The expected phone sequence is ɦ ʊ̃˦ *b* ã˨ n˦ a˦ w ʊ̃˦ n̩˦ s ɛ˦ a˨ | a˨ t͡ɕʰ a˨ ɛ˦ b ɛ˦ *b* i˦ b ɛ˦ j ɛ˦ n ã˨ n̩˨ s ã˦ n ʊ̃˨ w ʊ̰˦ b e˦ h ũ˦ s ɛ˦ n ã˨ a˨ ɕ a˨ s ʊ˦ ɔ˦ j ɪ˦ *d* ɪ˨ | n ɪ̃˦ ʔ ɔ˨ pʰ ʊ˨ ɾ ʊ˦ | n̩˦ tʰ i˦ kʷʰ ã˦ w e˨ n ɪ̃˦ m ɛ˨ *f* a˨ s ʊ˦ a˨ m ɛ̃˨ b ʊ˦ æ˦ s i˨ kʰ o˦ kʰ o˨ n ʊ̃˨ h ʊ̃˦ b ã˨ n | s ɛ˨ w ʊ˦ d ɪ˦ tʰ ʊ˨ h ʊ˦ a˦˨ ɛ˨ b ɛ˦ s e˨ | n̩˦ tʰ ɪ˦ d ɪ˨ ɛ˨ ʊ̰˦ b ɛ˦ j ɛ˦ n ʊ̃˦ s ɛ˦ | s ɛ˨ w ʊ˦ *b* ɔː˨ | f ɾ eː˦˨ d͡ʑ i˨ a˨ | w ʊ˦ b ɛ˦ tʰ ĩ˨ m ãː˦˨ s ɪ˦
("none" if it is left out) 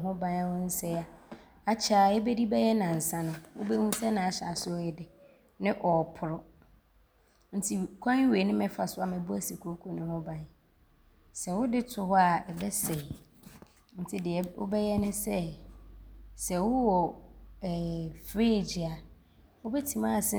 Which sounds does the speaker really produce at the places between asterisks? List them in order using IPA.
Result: b, d, d, f, w

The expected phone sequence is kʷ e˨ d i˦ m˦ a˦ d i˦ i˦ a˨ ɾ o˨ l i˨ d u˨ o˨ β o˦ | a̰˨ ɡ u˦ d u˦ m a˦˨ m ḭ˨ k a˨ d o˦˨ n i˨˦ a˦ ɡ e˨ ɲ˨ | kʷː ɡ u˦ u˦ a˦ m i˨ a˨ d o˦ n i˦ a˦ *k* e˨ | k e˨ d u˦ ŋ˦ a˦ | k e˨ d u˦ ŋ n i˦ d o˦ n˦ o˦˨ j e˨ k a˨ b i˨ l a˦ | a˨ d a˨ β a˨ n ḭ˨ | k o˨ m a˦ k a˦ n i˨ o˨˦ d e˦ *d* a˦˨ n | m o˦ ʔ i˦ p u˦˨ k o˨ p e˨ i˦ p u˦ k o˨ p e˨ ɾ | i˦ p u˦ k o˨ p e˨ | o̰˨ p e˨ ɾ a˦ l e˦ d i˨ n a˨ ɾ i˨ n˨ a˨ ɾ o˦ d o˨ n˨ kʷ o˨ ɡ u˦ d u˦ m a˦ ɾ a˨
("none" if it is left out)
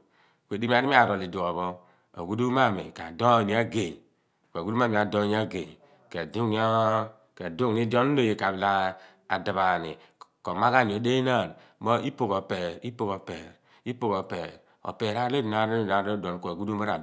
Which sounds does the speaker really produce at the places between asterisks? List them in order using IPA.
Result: ɡ, n

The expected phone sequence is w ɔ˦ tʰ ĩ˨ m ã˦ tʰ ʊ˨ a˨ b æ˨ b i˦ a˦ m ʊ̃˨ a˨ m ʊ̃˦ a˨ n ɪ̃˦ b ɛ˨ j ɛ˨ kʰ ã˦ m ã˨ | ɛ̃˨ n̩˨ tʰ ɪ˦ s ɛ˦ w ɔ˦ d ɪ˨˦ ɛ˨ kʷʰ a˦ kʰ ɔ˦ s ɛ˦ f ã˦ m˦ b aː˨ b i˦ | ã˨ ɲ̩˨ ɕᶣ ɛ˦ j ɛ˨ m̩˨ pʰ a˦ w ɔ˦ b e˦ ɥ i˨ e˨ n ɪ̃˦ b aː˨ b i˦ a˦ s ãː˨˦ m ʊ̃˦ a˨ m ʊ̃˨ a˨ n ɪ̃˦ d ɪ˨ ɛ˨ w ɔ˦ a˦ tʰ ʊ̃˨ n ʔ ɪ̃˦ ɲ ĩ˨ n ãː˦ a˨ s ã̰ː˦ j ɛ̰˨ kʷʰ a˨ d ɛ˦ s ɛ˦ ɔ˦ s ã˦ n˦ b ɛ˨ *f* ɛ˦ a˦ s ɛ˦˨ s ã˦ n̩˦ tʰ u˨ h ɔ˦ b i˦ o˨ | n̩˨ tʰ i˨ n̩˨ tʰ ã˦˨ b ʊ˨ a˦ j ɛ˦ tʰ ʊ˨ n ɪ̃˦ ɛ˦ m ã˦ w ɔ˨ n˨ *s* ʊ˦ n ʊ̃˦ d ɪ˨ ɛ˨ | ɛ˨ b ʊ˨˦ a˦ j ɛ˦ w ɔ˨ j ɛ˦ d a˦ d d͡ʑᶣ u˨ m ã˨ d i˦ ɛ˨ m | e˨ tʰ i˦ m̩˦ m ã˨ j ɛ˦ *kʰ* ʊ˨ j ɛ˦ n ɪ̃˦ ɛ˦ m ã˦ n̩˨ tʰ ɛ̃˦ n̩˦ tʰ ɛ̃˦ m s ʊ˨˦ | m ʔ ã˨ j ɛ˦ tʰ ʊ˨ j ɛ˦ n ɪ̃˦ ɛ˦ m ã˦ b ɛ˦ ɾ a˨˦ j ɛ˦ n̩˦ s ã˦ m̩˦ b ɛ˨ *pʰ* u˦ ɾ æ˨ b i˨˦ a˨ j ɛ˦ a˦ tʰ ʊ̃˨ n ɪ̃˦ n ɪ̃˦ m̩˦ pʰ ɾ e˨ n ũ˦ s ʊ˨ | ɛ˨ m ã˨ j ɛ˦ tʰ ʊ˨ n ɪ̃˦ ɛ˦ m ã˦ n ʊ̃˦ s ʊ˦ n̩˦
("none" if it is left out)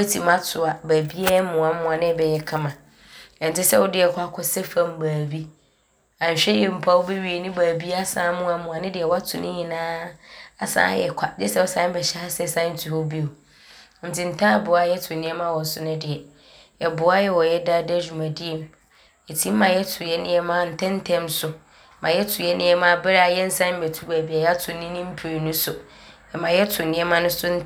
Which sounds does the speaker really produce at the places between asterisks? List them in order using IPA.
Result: ɕ, s, tʰ, tʰ

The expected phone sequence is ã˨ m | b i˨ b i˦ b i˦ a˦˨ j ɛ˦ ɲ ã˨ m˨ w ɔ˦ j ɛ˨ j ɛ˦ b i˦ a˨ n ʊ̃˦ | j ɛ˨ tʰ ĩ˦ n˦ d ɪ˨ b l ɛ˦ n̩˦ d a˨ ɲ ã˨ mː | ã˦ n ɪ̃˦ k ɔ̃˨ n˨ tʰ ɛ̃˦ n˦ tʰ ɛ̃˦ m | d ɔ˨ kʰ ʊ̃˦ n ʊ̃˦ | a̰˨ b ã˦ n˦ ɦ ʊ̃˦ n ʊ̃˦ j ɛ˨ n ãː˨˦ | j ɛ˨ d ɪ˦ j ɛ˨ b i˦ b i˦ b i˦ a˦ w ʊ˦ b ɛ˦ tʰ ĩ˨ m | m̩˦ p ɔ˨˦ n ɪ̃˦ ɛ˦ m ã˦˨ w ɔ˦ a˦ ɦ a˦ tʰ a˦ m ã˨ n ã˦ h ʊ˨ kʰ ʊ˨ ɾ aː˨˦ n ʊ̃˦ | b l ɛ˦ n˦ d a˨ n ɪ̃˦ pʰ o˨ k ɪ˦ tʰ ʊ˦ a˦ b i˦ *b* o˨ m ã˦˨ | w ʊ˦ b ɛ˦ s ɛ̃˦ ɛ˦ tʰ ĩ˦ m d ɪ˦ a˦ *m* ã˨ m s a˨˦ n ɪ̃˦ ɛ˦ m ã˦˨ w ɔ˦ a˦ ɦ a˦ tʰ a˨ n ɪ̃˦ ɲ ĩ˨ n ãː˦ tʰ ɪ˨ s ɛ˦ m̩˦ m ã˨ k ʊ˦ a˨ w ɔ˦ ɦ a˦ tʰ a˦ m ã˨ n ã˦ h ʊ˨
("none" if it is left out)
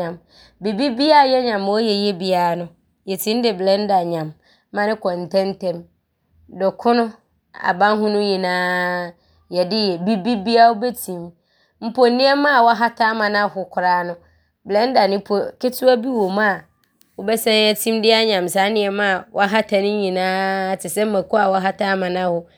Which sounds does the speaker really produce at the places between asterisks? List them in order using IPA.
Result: w, ɲ

